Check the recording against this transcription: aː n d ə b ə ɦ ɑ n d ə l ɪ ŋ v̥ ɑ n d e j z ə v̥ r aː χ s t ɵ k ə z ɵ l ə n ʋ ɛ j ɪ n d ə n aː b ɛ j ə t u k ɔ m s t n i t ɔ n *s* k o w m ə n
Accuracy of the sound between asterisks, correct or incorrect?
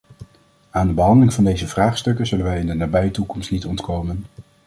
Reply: incorrect: t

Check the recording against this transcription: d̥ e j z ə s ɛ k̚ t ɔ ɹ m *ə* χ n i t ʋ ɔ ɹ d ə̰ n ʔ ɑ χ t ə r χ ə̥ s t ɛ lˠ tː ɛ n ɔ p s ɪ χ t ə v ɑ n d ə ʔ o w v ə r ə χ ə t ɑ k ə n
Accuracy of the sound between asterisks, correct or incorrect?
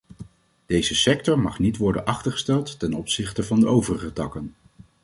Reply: incorrect: ɑ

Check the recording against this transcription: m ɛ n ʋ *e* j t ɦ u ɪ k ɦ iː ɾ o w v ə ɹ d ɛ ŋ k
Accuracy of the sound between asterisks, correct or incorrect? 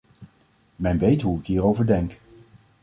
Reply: correct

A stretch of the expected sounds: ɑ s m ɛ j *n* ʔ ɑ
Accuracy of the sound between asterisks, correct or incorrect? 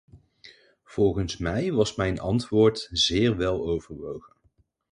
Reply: correct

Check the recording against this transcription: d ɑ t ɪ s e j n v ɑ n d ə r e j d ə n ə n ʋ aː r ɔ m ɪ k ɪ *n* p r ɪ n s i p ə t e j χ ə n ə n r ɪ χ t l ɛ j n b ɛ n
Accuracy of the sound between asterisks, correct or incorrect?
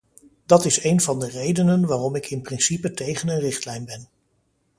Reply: correct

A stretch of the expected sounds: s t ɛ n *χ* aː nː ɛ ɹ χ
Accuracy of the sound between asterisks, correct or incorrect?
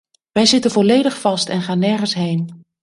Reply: correct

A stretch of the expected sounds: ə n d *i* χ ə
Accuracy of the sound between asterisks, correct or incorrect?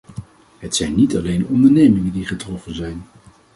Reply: correct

